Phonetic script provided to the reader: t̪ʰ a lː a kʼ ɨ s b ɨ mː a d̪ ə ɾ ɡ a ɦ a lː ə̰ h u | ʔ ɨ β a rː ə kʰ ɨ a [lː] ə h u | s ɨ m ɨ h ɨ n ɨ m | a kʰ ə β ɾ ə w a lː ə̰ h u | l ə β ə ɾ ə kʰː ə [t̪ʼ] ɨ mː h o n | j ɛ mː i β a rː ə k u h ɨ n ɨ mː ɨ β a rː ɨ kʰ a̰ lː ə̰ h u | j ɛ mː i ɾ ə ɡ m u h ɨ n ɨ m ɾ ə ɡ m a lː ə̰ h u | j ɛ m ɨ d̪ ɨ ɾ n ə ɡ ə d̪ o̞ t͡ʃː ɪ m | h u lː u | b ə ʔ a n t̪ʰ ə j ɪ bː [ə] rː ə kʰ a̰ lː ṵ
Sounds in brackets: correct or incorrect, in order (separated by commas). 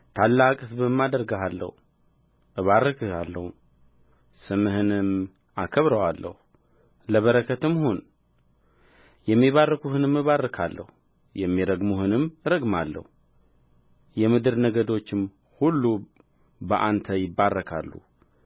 correct, incorrect, incorrect